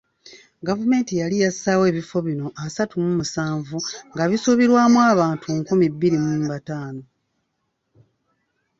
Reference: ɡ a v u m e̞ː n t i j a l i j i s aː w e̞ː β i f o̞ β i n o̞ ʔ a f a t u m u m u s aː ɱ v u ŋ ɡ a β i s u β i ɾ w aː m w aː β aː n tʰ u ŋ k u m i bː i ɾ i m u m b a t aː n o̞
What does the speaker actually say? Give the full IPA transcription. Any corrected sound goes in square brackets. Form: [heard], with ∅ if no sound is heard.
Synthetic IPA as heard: ɡ a v u m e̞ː n t i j a l i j [a] s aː w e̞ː β i f o̞ β i n o̞ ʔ a [s] a t u m u m u s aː ɱ v u ŋ ɡ a β i s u β i ɾ w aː m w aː β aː n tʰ u ŋ k u m i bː i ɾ i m u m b a t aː n o̞